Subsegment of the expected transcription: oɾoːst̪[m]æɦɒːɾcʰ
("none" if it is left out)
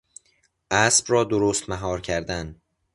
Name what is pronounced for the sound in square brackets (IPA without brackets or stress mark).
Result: m